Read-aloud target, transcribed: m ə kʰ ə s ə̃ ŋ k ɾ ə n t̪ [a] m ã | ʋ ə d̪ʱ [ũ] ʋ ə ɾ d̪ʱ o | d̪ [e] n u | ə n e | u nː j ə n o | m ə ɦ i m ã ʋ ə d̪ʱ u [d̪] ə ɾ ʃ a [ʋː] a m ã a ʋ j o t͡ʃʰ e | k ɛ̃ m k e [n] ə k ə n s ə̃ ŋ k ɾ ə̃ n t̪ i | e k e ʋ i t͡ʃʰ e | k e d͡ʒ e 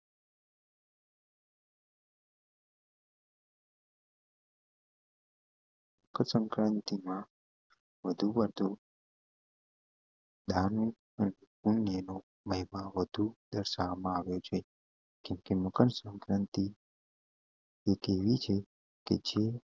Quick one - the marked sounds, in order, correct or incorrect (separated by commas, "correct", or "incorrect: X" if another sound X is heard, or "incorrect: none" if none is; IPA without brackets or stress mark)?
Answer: incorrect: i, incorrect: u, incorrect: a, correct, incorrect: ʋ, incorrect: m